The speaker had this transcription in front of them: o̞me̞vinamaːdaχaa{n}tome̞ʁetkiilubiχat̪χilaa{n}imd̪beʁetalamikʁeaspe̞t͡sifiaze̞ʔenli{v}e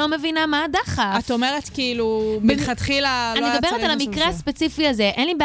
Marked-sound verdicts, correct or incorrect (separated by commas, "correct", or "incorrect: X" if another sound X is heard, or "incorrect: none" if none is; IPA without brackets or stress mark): incorrect: none, correct, incorrect: b